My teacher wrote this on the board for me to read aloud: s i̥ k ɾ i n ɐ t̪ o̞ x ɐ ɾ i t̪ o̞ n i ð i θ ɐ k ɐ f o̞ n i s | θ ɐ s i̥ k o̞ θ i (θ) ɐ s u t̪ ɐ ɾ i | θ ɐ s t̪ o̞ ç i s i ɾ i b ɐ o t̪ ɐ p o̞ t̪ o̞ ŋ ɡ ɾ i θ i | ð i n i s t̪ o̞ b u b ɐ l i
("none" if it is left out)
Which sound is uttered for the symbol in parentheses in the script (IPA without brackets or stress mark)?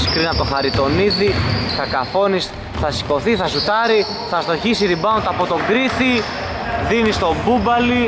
θ